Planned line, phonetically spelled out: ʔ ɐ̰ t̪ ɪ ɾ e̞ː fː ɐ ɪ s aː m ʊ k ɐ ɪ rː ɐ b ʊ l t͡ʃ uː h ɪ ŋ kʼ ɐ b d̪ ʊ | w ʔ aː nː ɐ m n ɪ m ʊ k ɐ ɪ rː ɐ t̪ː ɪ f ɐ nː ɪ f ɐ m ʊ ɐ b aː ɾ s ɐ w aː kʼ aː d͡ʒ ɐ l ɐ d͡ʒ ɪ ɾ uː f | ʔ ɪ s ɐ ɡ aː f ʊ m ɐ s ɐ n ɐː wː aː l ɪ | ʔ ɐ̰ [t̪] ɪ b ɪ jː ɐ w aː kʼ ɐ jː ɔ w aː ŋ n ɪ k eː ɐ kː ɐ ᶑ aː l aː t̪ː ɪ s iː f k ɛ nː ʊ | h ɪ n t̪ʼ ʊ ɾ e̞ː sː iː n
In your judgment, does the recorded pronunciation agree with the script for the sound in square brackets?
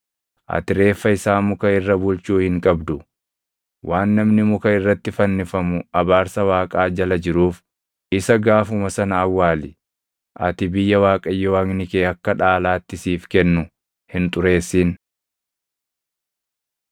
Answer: yes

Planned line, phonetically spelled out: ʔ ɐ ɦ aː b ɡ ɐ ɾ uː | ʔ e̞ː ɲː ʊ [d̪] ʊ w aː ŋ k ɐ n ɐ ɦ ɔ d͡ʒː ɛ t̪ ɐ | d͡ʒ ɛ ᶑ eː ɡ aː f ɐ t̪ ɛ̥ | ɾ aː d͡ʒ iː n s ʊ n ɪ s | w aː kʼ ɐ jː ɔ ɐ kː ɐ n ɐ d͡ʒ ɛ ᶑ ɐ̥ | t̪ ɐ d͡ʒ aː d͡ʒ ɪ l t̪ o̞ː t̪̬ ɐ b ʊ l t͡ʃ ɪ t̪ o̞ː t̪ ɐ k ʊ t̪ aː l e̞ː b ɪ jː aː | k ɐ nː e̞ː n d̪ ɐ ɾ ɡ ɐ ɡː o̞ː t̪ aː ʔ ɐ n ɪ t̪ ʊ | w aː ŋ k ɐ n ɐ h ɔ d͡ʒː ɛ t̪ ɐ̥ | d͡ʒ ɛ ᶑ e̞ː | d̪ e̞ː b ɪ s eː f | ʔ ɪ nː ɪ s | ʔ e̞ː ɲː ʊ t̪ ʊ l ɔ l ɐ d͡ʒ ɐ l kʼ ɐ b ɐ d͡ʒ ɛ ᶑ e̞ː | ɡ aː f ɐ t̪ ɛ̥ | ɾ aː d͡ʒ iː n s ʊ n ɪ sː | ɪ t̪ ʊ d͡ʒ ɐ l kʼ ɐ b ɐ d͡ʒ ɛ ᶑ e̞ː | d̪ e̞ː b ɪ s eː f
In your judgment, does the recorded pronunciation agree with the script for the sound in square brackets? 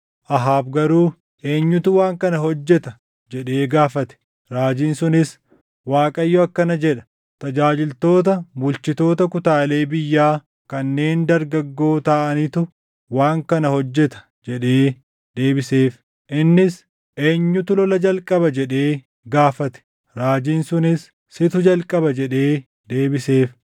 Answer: no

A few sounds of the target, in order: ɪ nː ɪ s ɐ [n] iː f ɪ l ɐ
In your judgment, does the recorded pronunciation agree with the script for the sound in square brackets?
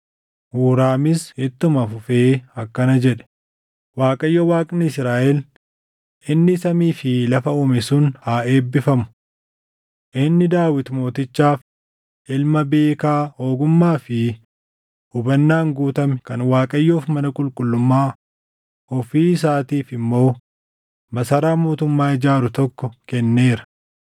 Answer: no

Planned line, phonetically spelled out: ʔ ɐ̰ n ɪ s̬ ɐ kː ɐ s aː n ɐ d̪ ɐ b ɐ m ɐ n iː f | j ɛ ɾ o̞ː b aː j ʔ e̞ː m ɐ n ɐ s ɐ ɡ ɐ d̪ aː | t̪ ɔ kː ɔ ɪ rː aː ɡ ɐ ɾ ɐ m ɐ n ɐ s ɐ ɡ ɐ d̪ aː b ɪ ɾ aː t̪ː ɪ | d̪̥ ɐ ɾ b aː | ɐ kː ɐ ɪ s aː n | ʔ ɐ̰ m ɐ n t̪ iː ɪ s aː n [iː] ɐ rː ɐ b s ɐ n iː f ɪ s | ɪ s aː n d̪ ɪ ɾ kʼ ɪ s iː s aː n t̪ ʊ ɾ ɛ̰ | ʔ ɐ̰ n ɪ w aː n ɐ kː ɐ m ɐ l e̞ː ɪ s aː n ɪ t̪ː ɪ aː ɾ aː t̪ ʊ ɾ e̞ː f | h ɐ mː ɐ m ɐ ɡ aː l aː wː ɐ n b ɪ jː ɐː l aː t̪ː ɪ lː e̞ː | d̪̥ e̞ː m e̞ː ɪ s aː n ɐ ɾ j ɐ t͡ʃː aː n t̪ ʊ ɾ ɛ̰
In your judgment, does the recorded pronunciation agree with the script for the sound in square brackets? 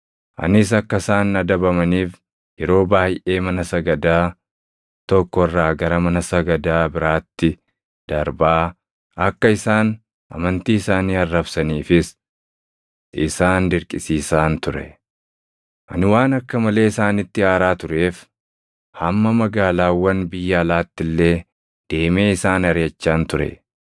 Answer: yes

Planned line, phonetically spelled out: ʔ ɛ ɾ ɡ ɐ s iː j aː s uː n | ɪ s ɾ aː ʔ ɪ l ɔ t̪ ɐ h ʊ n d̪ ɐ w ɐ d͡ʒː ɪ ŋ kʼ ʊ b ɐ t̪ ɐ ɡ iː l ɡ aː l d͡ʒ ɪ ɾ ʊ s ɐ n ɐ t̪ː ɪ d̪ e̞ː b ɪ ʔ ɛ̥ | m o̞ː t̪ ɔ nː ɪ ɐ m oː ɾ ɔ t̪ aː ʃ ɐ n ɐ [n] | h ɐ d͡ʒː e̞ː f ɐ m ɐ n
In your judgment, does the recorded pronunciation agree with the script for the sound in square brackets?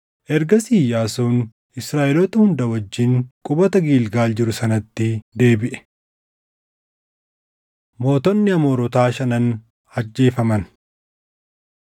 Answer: yes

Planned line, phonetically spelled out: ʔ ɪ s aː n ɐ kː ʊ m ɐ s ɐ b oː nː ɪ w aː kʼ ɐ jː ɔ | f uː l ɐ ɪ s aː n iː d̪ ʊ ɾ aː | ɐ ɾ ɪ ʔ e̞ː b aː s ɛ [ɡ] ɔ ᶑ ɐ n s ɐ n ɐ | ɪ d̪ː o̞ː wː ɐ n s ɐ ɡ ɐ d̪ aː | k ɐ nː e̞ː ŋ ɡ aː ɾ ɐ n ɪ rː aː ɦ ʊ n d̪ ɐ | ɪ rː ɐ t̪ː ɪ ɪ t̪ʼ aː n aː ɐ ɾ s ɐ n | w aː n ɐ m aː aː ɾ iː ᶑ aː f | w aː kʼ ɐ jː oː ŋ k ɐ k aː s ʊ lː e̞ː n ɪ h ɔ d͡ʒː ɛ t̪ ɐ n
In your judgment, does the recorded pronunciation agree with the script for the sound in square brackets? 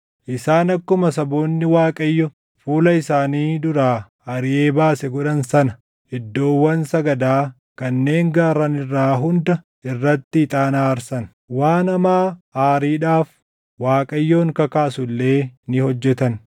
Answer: yes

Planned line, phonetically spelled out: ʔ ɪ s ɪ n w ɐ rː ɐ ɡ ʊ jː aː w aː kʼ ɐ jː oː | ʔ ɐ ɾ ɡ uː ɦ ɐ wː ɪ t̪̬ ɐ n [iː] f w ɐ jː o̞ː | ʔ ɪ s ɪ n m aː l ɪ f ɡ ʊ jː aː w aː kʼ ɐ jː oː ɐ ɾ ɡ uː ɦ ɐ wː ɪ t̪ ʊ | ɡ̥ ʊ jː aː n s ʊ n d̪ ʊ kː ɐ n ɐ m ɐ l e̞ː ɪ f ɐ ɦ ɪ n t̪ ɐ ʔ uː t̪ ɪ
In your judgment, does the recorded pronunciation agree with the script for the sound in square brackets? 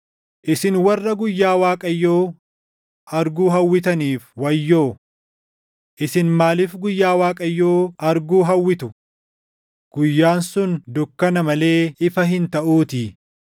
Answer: yes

